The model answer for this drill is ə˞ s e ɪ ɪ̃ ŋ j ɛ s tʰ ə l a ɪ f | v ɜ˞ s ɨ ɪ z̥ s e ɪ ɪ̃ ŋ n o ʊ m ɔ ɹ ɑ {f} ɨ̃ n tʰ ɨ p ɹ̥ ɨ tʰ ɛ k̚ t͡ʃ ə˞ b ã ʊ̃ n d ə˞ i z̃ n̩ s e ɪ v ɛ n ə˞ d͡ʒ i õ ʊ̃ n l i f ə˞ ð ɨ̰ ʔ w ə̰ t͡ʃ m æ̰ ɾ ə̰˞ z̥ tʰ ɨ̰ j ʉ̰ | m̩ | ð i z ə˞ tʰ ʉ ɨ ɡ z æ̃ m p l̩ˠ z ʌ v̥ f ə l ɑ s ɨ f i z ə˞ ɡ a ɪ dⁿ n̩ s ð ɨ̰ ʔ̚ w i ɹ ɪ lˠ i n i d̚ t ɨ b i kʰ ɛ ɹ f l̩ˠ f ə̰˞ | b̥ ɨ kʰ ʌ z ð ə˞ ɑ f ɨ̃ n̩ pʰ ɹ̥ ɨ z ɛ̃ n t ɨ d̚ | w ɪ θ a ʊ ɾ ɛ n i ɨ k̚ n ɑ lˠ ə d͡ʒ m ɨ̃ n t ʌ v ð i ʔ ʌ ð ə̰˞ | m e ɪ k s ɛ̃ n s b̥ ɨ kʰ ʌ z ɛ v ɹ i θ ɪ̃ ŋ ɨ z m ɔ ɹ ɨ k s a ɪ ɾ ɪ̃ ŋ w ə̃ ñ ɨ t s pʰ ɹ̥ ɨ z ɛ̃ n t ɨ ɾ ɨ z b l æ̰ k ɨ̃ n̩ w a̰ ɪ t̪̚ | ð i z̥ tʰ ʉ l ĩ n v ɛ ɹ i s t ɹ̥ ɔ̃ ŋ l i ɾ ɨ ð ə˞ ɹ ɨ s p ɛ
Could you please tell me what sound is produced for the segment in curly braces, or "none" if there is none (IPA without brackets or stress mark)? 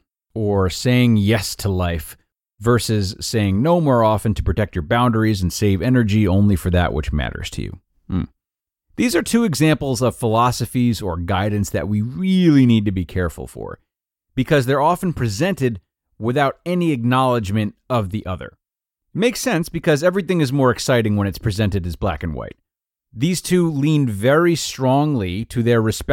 f